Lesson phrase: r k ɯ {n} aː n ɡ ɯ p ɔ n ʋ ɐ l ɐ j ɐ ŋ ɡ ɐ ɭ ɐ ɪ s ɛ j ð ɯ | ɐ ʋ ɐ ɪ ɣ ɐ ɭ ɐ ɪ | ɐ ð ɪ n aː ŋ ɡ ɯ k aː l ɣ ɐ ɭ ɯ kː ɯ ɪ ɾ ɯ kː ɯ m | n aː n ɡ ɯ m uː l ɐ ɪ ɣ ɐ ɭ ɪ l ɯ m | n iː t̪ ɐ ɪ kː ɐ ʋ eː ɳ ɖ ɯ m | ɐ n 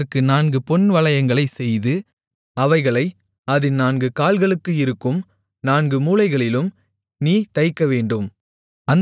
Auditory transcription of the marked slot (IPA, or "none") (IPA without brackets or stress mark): n